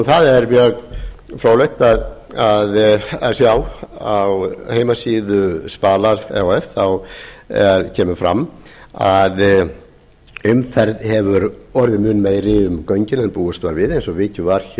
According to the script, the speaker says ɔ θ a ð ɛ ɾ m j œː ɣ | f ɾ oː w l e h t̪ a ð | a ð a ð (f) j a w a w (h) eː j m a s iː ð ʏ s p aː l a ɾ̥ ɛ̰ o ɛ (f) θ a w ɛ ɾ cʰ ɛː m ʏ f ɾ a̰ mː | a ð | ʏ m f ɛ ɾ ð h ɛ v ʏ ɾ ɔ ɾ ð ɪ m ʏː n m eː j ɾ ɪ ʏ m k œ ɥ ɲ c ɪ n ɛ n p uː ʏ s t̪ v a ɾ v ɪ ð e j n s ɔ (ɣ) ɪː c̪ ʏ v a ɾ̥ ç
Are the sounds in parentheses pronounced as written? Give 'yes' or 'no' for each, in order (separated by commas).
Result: no, yes, yes, no